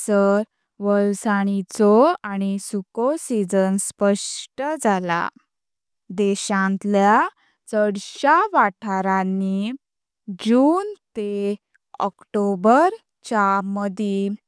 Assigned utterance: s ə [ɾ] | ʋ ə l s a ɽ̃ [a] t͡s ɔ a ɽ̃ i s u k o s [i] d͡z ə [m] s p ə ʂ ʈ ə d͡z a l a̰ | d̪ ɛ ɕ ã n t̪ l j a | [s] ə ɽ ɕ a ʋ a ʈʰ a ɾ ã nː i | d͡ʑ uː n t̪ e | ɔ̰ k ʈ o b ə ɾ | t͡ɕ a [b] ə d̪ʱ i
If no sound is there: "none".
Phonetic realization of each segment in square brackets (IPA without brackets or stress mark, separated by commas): ɾ, i, i, n, t͡s, m